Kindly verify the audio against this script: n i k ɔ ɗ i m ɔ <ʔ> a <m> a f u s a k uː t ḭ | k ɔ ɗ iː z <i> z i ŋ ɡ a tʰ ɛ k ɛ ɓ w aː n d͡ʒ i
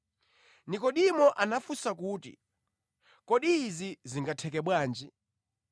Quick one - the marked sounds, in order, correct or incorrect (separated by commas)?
correct, incorrect, correct